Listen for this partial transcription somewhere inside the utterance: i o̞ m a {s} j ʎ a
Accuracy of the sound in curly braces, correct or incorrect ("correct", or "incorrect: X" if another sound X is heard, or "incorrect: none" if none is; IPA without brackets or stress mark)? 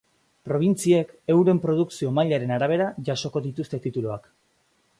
incorrect: none